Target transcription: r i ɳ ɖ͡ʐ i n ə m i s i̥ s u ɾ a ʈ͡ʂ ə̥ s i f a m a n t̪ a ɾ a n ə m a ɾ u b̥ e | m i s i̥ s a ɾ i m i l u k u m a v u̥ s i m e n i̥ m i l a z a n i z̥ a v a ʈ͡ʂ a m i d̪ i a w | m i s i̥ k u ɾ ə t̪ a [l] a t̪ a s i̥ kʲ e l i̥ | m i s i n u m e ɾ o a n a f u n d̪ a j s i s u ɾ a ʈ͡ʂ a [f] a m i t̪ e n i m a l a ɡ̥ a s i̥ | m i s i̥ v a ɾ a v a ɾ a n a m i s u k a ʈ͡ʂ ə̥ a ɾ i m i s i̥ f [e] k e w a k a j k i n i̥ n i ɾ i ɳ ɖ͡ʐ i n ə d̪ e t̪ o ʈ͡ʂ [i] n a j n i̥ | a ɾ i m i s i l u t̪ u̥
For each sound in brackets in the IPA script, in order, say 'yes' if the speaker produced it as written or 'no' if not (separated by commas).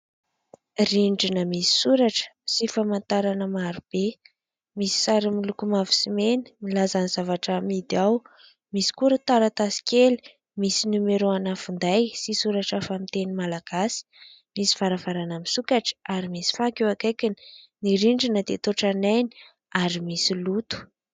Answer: no, yes, no, no